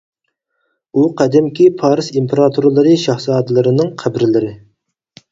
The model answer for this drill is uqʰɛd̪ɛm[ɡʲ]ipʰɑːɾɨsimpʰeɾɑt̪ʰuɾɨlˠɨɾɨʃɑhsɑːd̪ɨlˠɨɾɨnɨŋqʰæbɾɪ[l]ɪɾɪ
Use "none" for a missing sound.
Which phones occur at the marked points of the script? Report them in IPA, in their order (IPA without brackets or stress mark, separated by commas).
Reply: kʲ, l